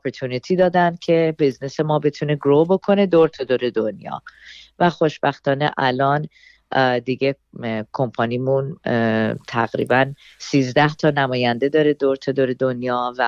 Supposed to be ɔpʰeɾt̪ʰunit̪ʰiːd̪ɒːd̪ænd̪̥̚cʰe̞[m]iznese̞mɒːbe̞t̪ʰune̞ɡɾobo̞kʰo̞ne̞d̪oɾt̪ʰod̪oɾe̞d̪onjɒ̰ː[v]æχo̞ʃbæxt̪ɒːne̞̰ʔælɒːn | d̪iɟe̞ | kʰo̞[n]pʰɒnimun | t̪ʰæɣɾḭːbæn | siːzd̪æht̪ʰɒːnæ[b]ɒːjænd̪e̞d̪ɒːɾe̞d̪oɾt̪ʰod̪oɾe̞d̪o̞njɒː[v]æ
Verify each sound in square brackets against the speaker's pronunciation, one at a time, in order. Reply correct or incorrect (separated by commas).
incorrect, correct, incorrect, incorrect, correct